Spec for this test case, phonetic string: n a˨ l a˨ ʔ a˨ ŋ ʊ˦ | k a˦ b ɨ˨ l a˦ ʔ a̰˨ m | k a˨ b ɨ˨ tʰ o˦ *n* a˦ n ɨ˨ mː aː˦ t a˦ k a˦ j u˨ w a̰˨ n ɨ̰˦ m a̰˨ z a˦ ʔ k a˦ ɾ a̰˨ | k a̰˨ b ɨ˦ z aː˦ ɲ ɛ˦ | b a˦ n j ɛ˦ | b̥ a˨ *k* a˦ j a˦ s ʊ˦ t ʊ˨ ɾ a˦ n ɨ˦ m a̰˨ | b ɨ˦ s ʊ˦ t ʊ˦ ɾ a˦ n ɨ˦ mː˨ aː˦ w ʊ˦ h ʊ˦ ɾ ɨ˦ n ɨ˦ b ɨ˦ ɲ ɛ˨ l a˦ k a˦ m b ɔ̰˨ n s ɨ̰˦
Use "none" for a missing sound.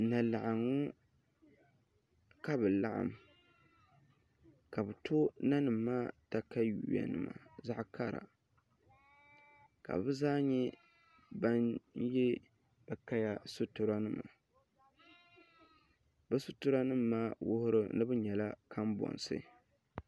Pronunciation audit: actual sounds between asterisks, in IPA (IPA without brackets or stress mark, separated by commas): n, k